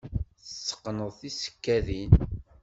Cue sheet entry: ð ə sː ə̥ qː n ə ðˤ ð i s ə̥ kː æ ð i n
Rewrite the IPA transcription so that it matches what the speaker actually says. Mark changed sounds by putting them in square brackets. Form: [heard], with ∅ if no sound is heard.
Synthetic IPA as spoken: [θ] ə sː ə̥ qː n ə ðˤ [θ] i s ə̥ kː æ ð i n